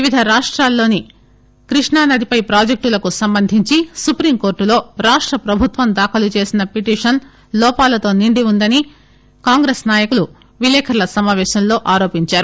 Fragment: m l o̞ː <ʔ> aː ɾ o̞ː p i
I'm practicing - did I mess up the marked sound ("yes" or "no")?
no